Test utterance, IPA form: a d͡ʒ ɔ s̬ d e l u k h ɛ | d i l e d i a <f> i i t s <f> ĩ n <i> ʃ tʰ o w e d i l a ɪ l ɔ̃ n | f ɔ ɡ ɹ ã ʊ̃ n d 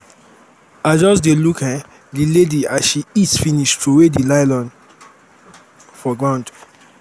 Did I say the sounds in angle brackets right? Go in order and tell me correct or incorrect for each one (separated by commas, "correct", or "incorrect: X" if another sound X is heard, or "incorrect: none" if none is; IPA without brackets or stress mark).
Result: incorrect: ʃ, correct, correct